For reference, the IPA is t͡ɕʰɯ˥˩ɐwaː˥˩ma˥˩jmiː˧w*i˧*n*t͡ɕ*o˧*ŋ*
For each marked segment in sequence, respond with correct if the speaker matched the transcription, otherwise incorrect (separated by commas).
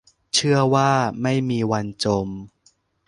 incorrect, correct, incorrect